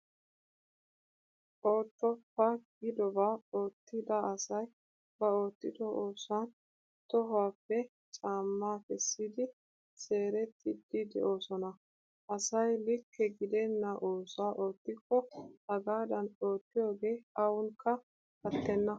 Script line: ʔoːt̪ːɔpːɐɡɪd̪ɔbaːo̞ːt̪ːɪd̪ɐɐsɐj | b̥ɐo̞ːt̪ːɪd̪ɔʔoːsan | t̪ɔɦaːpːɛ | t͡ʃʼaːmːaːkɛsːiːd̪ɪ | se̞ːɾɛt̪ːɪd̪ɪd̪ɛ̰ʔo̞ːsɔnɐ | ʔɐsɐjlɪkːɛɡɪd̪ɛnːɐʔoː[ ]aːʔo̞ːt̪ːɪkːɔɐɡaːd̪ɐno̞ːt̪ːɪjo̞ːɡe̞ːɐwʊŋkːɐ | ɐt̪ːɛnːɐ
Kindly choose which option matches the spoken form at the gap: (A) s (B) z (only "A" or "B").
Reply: A